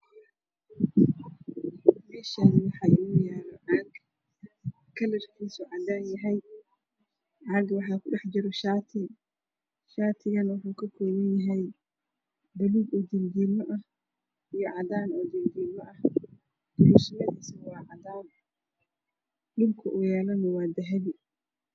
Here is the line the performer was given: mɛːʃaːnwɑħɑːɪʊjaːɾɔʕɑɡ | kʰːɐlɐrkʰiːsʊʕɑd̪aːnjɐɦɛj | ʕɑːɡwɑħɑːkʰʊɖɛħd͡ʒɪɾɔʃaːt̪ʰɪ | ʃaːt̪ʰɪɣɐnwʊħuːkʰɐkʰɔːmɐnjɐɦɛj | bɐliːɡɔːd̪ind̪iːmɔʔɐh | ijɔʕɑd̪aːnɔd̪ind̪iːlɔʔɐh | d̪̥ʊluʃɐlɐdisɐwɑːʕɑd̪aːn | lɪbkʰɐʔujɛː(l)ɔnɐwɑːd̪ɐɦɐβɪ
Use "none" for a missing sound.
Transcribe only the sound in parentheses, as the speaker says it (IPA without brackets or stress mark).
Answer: l